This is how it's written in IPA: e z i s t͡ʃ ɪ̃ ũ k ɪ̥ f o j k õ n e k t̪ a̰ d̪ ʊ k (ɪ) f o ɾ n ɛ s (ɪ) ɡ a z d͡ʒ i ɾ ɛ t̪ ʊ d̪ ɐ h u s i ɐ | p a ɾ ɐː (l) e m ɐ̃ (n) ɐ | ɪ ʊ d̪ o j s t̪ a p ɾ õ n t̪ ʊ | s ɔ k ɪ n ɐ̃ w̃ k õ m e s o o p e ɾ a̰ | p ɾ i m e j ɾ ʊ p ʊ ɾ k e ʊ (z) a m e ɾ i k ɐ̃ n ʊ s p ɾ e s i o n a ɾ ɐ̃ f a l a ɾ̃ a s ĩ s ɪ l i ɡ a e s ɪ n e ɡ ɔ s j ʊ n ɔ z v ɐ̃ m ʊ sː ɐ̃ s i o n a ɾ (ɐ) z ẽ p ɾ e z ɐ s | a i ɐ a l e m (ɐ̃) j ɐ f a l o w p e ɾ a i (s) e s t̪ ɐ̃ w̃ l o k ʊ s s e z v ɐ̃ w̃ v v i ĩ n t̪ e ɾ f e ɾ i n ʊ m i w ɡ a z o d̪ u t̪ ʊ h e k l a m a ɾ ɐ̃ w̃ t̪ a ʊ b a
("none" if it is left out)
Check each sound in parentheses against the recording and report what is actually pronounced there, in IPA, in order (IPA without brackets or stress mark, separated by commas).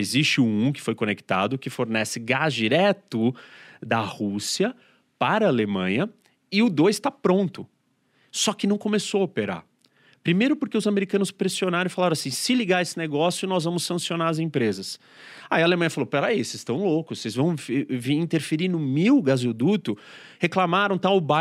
ɪ, ɪ, l, ɲ, z, ɐ, ɐ̃, s